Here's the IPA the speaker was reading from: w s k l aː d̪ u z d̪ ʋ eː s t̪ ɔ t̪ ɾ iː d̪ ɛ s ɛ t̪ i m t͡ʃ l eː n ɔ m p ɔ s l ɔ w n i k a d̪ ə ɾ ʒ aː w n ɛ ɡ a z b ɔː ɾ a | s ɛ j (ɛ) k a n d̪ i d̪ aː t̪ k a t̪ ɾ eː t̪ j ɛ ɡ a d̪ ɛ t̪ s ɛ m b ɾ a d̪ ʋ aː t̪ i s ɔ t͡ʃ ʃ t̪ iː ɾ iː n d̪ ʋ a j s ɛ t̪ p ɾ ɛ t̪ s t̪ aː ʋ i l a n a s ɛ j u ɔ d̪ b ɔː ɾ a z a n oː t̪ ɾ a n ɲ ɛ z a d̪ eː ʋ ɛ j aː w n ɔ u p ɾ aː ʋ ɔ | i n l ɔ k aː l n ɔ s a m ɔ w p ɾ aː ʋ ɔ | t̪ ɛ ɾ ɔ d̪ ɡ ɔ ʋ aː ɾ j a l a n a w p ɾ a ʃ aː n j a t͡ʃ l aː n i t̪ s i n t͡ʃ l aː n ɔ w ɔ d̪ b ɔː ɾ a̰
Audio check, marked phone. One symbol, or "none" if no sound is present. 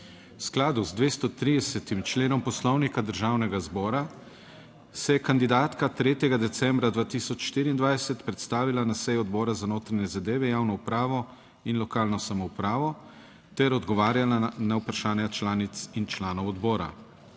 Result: ɛ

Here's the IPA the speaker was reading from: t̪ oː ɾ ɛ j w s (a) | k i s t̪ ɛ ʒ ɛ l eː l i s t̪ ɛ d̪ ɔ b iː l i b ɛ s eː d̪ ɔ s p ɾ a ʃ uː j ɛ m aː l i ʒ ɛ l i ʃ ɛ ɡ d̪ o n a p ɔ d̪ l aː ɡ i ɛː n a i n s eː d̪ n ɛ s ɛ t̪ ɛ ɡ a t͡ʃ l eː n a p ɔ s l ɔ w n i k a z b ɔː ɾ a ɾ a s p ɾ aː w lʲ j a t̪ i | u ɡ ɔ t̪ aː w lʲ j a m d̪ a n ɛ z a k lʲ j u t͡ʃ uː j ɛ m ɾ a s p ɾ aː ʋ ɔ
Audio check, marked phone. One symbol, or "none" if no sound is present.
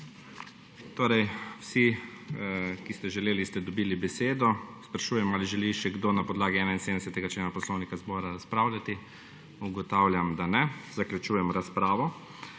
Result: i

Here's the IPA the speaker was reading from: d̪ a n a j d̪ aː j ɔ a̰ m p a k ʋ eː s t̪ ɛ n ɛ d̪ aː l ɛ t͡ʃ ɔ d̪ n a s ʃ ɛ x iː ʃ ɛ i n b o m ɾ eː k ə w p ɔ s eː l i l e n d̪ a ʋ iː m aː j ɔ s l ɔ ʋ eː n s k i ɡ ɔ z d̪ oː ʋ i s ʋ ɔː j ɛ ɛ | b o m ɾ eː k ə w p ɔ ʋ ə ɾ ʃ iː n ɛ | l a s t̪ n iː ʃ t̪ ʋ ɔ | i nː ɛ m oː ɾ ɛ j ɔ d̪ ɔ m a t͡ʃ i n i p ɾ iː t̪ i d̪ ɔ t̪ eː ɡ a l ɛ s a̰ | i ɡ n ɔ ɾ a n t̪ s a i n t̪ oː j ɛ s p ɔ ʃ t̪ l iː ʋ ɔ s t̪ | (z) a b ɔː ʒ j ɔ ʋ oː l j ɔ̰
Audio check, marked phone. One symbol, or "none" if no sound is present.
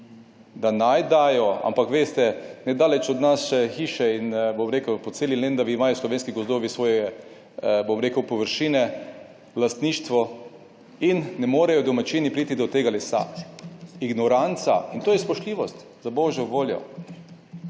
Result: z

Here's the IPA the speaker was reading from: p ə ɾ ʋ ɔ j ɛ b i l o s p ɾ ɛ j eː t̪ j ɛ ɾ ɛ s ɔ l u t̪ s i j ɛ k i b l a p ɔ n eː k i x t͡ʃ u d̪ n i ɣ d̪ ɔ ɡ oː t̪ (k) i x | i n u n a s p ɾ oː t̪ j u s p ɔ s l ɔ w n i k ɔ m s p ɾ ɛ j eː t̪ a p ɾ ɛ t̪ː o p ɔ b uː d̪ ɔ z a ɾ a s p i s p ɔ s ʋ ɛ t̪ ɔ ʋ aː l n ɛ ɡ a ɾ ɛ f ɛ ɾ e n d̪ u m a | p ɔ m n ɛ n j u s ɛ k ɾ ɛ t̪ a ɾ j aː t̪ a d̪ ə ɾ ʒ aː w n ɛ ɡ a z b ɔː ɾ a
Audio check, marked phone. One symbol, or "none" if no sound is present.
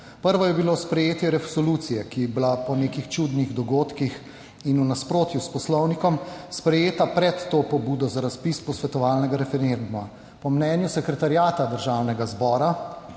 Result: k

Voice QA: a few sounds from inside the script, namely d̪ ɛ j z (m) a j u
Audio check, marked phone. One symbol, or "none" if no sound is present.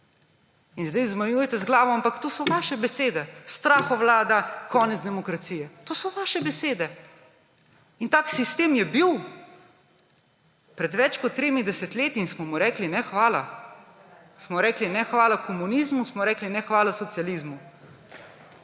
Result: m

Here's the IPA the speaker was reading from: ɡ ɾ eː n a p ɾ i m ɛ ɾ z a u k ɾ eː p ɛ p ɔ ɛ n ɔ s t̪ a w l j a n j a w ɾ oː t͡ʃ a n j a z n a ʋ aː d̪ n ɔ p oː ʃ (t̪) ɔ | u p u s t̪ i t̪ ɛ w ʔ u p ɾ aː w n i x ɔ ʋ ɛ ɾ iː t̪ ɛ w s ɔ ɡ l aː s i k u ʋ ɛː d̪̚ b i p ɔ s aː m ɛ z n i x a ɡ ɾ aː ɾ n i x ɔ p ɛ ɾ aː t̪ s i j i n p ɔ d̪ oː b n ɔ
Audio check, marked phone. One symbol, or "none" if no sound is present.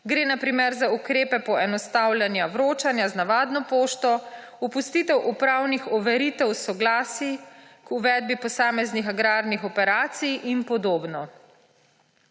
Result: t̪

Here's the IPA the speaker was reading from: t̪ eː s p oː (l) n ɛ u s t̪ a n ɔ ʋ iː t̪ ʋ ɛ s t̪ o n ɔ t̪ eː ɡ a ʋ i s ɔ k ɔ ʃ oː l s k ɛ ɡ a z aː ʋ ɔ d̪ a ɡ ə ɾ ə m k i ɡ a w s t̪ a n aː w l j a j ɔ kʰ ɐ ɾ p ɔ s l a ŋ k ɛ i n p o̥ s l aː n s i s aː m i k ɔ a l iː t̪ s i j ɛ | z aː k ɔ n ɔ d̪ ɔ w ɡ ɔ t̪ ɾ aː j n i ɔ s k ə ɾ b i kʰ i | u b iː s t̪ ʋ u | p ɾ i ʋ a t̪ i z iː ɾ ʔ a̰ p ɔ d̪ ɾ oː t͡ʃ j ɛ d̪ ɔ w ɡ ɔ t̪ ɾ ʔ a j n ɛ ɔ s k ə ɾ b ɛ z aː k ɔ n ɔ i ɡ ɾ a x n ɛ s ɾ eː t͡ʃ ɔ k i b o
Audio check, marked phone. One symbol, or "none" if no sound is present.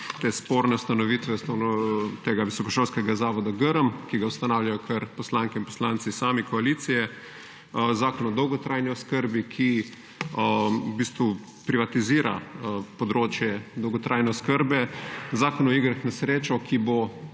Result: ɾ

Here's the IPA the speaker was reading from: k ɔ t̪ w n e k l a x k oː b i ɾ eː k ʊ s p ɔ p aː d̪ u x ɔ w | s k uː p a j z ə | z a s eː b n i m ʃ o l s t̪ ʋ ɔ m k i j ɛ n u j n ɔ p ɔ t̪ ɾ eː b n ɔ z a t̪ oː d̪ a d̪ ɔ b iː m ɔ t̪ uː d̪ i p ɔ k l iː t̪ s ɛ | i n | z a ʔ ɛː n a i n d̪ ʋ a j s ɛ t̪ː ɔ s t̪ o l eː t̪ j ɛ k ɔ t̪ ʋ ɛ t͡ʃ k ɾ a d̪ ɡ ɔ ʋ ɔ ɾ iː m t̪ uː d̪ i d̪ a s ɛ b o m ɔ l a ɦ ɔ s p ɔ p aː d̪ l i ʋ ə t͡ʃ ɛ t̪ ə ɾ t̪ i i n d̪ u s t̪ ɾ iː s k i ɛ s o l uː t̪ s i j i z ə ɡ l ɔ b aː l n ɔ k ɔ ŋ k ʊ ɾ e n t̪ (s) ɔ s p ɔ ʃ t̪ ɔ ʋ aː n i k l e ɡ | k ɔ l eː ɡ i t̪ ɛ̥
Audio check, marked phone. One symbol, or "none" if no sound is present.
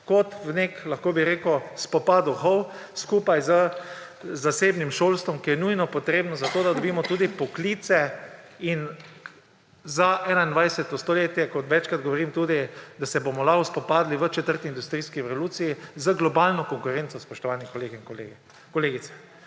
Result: s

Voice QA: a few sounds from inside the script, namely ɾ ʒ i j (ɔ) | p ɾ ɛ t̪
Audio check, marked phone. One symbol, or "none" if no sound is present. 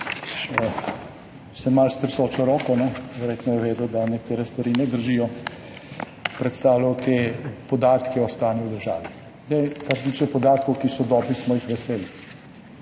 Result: ɔ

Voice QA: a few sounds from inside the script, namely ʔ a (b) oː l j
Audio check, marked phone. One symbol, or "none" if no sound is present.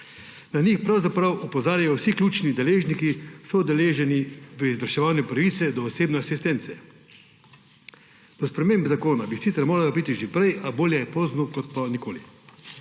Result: b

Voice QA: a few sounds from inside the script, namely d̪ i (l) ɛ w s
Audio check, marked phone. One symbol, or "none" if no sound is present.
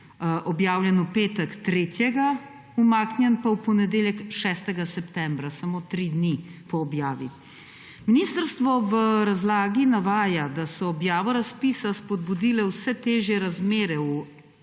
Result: l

